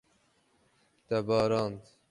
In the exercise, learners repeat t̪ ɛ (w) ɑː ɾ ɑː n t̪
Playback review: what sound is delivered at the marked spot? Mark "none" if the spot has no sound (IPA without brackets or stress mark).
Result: b